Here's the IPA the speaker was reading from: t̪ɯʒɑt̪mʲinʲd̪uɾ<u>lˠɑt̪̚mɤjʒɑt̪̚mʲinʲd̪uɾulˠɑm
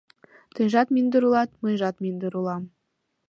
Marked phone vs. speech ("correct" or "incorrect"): correct